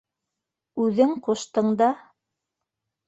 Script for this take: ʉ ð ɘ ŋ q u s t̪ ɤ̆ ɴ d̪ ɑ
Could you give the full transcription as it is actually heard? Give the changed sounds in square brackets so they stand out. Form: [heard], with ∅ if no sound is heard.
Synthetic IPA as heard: ʉ ð ɘ ŋ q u [ʃ] t̪ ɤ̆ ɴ d̪ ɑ